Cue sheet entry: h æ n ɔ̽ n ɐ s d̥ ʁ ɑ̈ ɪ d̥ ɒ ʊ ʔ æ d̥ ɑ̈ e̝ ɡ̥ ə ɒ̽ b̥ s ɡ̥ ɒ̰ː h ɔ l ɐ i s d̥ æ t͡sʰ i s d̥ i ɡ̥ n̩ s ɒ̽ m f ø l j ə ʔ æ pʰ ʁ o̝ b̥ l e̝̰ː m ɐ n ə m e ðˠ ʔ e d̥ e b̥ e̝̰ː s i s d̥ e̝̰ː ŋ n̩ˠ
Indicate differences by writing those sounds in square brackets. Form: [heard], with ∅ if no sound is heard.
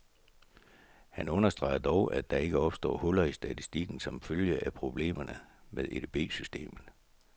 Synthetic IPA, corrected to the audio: h æ n ɔ̽ n ɐ s d̥ ʁ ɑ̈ ɪ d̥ ɒ ʊ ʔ æ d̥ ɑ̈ e̝ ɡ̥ ə ɒ̽ b̥ s [d̥] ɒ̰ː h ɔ l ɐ i s d̥ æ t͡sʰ i s d̥ i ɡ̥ n̩ s ɒ̽ m f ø l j ə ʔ æ pʰ ʁ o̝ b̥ l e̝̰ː m ɐ n ə m e ðˠ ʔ e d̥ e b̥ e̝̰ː s [y] s d̥ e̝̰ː [m] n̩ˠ